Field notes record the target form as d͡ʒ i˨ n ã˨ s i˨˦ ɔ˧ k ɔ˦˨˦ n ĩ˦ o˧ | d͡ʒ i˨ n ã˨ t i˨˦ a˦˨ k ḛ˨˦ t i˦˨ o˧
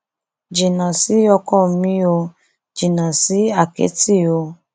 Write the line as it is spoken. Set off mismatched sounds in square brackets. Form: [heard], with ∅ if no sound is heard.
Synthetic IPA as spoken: d͡ʒ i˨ n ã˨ s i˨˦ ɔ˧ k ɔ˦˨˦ [m] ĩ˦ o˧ | d͡ʒ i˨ n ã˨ [s] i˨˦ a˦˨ k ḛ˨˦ t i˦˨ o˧

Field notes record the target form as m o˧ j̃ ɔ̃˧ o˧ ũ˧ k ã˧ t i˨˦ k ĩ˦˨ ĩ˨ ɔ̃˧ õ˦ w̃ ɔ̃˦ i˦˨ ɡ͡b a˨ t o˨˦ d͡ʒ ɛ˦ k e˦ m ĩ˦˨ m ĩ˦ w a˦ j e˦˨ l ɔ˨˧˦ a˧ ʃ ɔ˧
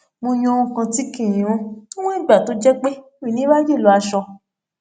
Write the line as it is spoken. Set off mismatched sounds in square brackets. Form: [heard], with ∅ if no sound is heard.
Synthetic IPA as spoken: m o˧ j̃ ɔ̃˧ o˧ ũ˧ k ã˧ t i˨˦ k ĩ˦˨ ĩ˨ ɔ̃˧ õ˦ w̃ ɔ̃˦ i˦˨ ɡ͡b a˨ t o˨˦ d͡ʒ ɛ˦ [k͡p] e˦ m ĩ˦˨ [n] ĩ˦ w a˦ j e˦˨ l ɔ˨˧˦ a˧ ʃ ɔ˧

